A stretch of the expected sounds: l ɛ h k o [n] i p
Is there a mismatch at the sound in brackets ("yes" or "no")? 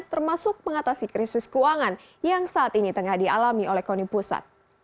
no